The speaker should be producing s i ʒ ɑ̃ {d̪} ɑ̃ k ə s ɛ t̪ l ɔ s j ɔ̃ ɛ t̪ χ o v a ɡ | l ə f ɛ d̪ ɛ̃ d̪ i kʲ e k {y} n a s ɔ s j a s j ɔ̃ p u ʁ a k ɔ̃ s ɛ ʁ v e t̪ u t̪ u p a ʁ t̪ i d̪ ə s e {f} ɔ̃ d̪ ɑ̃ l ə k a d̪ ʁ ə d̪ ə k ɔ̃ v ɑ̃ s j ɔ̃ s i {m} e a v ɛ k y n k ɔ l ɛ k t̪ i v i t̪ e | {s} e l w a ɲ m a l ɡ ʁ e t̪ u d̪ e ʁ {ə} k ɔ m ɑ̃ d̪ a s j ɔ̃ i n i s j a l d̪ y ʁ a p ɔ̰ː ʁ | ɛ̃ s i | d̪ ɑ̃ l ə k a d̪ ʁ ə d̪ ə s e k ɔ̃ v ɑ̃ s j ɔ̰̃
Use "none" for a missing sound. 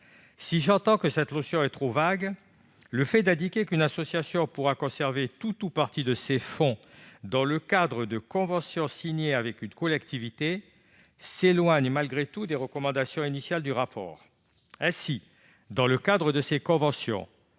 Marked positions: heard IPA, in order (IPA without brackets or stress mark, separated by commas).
t̪, y, f, ɲ, s, ə